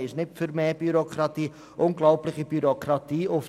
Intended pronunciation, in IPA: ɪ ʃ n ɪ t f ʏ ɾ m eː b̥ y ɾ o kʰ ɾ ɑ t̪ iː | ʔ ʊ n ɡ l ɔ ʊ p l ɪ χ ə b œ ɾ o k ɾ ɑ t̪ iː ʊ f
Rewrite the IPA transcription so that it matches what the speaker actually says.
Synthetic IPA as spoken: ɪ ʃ n ɪ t f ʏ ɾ m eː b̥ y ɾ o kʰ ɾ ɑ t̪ iː | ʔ ʊ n ɡ l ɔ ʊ p l ɪ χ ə b y ɾ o k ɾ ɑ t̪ iː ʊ f